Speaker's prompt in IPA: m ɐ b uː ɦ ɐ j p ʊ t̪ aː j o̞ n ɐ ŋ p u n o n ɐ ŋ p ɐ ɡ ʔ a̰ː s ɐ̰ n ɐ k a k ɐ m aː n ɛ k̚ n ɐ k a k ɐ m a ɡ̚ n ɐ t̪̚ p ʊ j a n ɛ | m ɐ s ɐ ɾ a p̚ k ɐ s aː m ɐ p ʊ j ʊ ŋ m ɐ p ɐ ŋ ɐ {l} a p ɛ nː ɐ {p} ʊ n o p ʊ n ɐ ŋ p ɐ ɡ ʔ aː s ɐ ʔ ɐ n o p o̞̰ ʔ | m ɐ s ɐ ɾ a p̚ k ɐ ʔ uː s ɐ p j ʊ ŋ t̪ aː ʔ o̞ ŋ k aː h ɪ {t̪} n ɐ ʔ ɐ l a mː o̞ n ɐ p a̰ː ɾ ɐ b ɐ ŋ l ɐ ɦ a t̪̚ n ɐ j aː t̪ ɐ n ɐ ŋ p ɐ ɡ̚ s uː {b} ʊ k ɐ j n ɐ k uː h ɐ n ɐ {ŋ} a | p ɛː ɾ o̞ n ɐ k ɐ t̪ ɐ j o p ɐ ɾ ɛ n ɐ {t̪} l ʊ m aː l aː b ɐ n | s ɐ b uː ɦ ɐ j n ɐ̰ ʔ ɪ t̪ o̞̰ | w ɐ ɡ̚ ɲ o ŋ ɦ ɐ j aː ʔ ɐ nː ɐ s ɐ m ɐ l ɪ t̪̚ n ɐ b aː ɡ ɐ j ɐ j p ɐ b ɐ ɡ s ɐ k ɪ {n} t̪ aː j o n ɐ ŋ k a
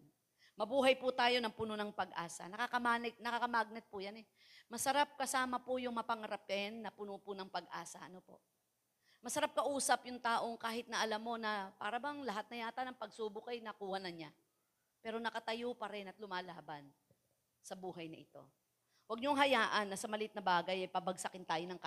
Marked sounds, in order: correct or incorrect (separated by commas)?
incorrect, correct, correct, correct, incorrect, correct, correct